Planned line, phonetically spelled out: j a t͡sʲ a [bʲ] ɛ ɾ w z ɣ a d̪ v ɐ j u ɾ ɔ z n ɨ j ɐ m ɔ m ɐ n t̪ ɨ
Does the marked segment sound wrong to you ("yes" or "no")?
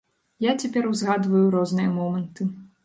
yes